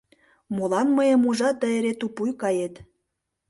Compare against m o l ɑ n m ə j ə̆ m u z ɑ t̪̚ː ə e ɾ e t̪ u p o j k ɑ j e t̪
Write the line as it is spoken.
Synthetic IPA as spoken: m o l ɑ n m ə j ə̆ m u ʒ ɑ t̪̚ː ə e ɾ e t̪ u p u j k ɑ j e t̪

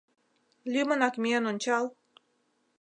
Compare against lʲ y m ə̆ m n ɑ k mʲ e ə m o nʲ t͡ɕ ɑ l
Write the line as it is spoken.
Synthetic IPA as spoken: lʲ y m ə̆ n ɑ k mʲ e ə n o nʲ t͡ɕ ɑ l

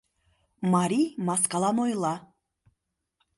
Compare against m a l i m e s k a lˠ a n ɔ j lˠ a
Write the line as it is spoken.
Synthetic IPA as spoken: m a ɾ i m a s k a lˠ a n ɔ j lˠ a

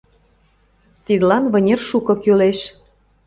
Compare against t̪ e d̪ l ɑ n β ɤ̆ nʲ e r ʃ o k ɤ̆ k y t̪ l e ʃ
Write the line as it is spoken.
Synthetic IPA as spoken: t̪ i d̪ l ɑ n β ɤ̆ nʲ e r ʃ u k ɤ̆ k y l e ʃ

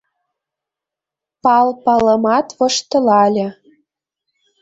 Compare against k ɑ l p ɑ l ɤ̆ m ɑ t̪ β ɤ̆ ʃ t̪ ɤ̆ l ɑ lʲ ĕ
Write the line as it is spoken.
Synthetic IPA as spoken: p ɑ l p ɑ l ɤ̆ m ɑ t̪ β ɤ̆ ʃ t̪ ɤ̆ l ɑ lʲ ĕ

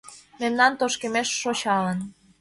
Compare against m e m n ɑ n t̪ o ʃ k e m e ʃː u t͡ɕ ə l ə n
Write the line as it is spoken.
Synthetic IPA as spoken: m e m n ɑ n t̪ o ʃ k e m e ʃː o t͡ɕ ɑ l ə n

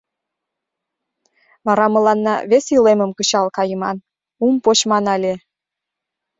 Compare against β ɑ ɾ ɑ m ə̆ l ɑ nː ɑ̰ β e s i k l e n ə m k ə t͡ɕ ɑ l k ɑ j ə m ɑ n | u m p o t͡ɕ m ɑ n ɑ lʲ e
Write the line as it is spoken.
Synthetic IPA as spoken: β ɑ ɾ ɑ m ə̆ l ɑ nː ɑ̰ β e s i l e m ə m k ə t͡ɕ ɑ l k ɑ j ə m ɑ n | u m p o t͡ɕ m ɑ n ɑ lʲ e

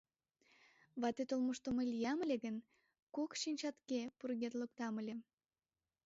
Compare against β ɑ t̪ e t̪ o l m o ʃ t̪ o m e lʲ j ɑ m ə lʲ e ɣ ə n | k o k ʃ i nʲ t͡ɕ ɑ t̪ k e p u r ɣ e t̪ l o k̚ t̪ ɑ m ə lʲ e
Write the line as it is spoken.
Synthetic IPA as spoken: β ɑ t̪ e t̪ o l m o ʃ t̪ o m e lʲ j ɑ m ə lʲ e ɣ ə n | k o k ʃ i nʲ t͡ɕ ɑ t̪ k e p u r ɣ e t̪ l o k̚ t̪ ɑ m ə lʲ e

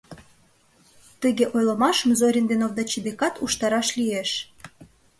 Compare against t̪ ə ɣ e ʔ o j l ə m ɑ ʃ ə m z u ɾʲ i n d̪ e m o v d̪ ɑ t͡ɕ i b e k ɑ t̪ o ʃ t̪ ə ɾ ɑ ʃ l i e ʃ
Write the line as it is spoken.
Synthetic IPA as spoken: t̪ ə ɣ e ʔ o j l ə m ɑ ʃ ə m z o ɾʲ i n d̪ e n o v d̪ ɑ t͡ɕ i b e k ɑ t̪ u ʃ t̪ ɑ ɾ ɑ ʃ l i e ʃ

